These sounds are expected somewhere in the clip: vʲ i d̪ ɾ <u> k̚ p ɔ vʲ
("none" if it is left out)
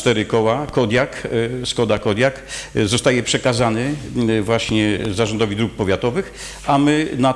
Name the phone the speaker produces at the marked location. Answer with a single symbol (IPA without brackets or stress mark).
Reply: u